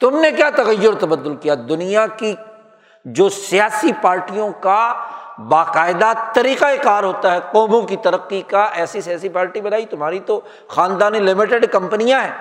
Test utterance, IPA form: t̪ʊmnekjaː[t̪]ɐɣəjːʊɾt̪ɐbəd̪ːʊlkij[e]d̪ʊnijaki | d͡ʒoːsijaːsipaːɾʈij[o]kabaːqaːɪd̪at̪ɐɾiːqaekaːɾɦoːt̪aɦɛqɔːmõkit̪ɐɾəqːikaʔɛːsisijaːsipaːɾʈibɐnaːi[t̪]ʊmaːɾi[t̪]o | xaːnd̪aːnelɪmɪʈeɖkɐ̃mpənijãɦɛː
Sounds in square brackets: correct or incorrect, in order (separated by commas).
correct, incorrect, incorrect, correct, correct